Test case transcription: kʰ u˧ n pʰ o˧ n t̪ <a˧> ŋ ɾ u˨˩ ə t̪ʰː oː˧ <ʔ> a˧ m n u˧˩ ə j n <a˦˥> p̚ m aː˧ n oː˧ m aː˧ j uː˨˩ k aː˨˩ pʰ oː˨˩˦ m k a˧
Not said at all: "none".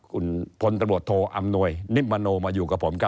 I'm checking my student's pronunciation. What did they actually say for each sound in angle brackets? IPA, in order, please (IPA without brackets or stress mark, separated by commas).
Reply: a˧, ʔ, i˦˥